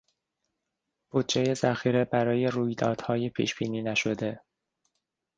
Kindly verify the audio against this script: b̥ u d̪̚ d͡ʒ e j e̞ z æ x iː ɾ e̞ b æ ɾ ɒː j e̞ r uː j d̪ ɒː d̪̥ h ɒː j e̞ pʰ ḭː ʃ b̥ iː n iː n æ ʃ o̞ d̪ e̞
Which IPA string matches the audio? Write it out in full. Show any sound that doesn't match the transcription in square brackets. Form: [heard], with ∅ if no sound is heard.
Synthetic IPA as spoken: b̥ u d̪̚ d͡ʒ e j e̞ z æ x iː ɾ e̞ b æ ɾ ɒː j e̞ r uː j d̪ ɒː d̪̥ h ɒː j e̞ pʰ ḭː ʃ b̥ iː n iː n æ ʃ o̞ d̪ e̞